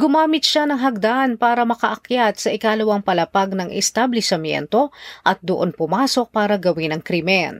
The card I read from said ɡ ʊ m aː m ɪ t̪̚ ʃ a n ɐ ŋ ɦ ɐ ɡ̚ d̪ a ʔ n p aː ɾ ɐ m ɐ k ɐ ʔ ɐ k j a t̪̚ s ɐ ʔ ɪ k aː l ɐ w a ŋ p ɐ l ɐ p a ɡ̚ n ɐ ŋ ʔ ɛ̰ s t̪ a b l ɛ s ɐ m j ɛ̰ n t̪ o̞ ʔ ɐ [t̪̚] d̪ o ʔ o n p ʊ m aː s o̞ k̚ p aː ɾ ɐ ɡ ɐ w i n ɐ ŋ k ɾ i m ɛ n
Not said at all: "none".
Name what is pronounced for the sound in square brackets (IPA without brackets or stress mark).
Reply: t̪̚